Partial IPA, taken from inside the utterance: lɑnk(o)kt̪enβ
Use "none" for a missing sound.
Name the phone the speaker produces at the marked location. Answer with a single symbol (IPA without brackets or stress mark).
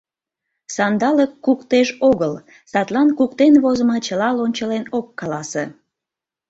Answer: u